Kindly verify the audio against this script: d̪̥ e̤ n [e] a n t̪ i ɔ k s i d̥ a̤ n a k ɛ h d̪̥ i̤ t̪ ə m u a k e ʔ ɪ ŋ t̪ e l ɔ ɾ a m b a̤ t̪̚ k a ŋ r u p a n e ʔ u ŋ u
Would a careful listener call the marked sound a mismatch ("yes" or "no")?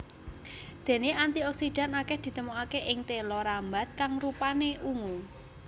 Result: no